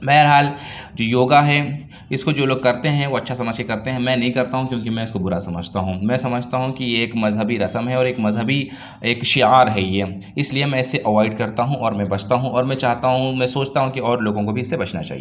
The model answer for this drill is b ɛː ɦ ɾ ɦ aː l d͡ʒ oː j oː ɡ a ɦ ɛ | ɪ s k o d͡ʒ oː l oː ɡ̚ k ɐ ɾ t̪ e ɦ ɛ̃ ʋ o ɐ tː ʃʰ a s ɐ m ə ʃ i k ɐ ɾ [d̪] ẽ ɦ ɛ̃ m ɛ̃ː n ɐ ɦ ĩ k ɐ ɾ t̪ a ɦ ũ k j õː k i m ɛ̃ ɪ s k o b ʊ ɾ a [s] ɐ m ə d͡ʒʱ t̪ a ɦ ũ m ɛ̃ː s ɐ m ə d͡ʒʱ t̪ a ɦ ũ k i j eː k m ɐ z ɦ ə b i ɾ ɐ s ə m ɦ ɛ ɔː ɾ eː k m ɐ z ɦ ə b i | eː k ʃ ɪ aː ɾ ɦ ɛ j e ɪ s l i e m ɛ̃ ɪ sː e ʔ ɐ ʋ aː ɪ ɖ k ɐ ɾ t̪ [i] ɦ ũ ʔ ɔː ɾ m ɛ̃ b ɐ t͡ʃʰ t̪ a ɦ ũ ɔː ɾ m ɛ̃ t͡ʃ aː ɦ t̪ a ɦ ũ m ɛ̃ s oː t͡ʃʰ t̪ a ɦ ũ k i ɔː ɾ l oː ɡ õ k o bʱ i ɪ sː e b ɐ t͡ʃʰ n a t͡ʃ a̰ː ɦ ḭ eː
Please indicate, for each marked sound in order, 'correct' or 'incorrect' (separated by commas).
incorrect, correct, incorrect